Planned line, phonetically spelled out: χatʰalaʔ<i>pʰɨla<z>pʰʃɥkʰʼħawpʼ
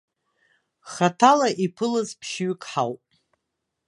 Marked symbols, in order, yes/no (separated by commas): yes, yes